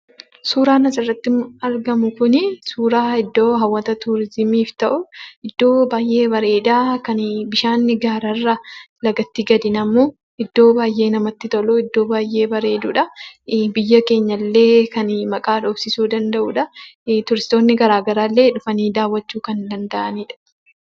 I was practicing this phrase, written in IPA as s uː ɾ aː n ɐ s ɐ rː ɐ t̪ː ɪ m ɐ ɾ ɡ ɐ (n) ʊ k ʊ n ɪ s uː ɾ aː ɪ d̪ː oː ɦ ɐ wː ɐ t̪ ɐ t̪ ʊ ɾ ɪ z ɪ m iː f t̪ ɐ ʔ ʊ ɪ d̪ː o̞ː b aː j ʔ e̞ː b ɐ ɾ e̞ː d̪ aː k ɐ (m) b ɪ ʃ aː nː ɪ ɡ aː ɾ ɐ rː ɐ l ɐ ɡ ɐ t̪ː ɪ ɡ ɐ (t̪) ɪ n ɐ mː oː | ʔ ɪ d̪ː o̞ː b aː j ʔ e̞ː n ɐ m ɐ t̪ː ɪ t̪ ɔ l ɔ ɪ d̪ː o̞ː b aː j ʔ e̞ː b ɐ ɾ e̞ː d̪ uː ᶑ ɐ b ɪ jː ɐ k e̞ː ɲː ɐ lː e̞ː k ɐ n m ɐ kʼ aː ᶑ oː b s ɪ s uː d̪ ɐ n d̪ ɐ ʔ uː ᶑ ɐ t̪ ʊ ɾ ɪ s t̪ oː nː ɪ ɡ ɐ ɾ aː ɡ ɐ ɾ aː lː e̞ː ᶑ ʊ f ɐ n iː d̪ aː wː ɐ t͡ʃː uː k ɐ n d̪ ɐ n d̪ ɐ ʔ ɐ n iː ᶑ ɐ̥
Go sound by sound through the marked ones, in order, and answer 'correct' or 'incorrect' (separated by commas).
incorrect, incorrect, incorrect